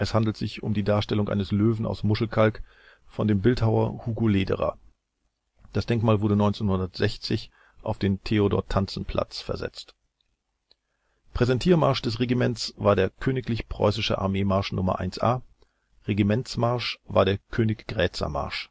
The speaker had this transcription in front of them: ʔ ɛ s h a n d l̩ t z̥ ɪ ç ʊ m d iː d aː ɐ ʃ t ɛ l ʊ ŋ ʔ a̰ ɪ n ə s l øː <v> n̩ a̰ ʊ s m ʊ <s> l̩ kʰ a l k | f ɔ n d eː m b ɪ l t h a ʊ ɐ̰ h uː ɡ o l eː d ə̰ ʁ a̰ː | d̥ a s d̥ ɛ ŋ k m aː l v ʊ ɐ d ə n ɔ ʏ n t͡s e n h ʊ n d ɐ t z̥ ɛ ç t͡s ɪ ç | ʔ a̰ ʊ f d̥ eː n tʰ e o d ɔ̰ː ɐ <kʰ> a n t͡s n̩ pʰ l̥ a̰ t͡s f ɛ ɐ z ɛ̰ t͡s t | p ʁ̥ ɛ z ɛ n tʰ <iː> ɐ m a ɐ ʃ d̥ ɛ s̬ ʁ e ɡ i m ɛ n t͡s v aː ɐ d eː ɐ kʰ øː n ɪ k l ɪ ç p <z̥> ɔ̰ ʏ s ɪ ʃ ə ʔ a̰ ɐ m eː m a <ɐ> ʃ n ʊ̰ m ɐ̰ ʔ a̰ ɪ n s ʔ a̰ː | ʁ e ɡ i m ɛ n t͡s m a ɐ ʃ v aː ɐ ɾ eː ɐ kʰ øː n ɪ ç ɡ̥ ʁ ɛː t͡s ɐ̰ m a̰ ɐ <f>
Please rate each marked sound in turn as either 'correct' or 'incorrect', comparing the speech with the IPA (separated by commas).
correct, incorrect, incorrect, correct, incorrect, correct, incorrect